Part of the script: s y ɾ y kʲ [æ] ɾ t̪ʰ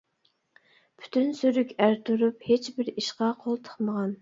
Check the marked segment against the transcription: correct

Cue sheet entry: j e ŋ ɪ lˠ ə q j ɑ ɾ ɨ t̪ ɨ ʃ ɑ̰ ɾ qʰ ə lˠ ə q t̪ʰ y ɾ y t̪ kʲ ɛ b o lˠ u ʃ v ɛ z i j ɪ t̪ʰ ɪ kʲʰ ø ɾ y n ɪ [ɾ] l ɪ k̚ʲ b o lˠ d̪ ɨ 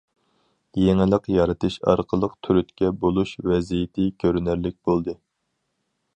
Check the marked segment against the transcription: correct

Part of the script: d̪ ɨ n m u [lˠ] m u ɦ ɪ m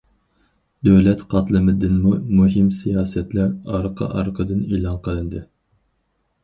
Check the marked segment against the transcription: incorrect: none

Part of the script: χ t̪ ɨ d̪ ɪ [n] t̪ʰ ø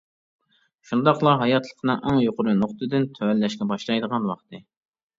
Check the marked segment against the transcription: correct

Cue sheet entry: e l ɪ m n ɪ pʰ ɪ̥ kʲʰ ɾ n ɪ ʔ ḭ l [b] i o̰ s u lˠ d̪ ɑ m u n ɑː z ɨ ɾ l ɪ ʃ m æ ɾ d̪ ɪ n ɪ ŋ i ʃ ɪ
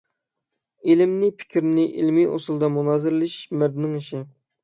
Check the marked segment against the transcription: incorrect: m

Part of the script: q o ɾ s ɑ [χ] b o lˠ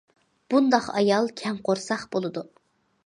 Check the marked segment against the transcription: correct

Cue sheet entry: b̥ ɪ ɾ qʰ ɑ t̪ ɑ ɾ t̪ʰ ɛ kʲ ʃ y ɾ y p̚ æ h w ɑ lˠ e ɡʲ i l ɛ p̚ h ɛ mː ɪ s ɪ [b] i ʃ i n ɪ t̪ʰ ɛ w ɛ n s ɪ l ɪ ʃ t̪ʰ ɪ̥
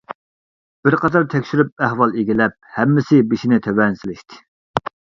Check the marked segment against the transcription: correct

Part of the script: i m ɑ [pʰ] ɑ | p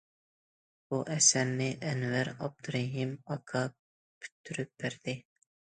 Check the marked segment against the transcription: incorrect: kʰ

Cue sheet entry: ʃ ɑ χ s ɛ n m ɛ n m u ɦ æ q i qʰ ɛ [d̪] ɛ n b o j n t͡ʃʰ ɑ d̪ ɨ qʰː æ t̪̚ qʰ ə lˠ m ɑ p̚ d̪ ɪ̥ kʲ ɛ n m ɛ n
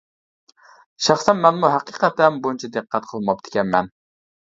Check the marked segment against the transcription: incorrect: t̪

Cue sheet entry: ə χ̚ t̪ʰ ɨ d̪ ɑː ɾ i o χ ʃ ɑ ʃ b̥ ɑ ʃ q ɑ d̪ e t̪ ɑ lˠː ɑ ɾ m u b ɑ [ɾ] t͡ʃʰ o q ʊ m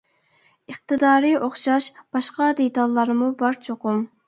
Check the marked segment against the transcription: correct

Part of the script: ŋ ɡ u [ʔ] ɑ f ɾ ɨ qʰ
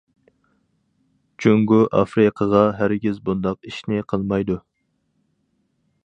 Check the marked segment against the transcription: correct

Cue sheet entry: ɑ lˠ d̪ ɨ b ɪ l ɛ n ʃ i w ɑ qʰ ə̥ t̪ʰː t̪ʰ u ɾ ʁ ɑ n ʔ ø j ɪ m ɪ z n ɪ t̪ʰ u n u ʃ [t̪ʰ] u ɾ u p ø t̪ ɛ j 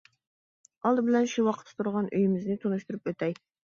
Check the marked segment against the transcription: incorrect: t̪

